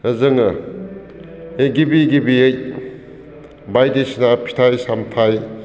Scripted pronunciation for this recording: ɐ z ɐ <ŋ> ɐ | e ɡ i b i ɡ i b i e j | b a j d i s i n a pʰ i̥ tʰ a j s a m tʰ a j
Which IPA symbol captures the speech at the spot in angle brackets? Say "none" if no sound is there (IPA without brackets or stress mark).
ŋ